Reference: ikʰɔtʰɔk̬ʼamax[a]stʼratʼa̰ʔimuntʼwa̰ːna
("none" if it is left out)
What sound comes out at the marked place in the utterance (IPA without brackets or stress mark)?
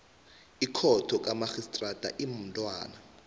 i